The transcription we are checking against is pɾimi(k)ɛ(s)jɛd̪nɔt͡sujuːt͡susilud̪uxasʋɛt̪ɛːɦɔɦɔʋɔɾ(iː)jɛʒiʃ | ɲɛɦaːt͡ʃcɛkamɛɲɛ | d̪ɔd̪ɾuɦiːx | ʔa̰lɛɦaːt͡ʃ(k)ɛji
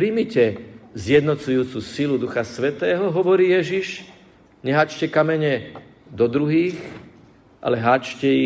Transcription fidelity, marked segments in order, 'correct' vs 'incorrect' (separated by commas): incorrect, incorrect, correct, incorrect